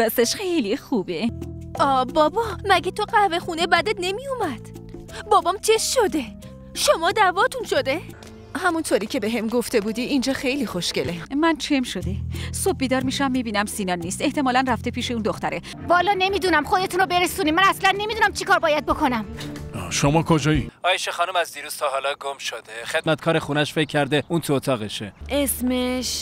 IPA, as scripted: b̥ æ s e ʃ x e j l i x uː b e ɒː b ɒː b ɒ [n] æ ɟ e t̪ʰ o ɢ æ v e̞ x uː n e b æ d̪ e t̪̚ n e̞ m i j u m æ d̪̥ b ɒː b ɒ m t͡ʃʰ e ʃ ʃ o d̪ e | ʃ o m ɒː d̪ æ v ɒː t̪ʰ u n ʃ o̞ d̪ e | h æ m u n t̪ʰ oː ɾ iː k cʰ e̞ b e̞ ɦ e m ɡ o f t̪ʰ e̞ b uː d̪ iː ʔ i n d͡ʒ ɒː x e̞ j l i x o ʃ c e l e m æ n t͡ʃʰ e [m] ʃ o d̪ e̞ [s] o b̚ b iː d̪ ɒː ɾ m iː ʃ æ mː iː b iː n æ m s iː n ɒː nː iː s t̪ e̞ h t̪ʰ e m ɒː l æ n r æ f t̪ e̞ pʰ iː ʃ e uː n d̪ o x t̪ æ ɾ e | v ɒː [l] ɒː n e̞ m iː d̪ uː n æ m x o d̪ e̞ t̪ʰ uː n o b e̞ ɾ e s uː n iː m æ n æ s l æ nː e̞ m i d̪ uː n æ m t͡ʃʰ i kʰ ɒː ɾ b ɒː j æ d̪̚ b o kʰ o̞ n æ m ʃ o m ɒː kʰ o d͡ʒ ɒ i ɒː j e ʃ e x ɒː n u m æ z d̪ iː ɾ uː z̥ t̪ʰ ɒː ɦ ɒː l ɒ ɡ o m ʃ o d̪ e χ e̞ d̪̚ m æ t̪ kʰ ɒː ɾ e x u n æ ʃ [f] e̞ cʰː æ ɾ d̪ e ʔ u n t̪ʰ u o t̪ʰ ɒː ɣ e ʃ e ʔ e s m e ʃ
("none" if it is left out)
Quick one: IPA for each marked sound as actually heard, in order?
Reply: m, m, s, l, f

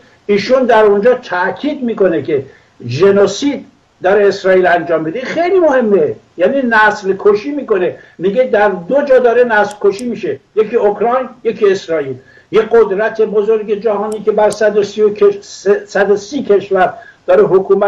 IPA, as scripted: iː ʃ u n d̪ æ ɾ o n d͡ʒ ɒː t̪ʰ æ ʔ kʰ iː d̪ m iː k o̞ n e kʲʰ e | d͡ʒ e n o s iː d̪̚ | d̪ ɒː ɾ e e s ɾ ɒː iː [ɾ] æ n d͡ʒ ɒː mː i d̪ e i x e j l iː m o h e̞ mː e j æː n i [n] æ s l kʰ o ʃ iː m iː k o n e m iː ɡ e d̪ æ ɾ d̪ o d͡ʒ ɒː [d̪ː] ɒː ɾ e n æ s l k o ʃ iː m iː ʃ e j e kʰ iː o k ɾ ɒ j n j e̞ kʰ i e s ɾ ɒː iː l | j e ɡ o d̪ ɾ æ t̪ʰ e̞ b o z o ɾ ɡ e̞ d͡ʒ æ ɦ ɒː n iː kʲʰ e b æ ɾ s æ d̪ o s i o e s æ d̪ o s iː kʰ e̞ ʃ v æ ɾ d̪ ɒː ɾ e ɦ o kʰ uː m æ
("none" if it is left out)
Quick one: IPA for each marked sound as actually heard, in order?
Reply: l, n, d̪

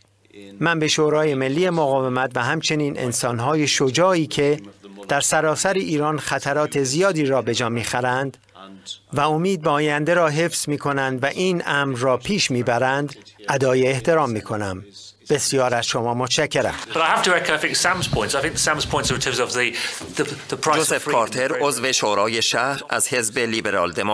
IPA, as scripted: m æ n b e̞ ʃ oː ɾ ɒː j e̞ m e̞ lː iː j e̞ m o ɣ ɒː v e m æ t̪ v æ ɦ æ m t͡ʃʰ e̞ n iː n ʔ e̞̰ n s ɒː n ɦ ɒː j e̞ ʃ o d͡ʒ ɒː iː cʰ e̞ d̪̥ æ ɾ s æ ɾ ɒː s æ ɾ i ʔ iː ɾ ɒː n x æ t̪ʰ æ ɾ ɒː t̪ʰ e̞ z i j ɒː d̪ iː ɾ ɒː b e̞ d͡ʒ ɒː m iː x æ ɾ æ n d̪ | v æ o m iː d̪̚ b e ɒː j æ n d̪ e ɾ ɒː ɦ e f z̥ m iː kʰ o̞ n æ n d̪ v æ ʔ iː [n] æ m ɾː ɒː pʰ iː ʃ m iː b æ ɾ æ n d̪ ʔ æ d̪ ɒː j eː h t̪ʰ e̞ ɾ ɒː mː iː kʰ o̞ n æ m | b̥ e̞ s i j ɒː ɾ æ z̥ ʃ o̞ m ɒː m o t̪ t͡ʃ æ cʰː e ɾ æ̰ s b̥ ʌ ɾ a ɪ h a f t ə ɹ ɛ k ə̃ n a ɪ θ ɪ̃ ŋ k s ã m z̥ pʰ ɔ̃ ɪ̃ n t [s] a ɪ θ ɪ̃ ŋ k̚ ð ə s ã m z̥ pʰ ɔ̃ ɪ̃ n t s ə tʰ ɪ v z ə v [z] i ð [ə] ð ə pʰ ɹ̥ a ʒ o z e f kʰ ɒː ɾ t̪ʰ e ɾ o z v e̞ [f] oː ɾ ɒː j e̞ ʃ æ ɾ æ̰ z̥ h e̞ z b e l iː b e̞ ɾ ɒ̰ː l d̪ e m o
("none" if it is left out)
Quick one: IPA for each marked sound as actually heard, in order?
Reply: n, s, ð, ə, ʃ

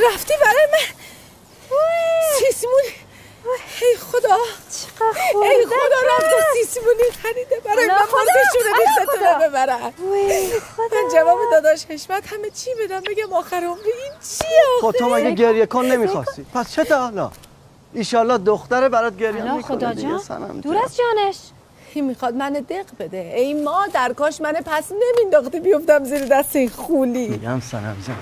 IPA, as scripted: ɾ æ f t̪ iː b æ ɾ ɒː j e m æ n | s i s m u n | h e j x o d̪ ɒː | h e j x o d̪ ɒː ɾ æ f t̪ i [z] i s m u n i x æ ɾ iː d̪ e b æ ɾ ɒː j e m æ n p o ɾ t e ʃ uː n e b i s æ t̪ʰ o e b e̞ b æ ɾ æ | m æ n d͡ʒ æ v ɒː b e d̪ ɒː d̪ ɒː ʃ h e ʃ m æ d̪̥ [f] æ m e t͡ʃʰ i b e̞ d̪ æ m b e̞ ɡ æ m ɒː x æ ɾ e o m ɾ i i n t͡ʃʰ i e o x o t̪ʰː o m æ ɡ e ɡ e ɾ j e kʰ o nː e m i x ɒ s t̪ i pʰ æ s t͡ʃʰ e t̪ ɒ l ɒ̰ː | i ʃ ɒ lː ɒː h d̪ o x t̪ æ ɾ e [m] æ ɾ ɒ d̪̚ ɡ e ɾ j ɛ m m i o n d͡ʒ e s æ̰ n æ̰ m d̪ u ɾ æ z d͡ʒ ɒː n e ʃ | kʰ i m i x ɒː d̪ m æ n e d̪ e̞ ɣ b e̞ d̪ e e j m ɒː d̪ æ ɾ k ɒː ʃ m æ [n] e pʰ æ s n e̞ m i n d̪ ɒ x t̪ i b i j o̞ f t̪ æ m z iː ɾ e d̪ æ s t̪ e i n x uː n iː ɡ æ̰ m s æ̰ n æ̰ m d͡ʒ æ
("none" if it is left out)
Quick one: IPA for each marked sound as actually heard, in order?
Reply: s, h, b, n

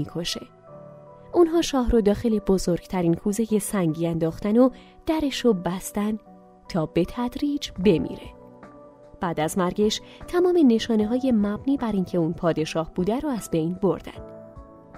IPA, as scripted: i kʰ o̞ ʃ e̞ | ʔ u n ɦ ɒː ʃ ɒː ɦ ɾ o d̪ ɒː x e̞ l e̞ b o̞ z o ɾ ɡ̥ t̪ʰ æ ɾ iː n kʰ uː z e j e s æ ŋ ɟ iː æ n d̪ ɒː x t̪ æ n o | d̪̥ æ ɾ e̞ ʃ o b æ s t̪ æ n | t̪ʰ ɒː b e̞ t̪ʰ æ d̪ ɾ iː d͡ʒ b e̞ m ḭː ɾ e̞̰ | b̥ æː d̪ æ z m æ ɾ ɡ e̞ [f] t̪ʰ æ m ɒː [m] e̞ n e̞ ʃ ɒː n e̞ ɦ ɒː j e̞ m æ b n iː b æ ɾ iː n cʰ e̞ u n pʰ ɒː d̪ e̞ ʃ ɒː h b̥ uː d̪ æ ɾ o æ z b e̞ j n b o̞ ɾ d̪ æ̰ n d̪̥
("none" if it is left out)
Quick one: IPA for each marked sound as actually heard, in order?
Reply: ʃ, m

